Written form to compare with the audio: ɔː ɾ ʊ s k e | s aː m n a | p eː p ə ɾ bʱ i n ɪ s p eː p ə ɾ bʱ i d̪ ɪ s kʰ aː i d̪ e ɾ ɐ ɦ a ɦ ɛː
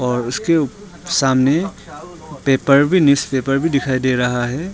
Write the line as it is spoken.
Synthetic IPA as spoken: ɔː ɾ ʊ s k e | s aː m n e | p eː p ə ɾ bʱ i n ɪ s p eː p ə ɾ bʱ i d̪ ɪ kʰ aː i d̪ e ɾ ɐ ɦ a ɦ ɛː